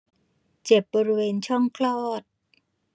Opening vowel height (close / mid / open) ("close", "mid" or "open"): mid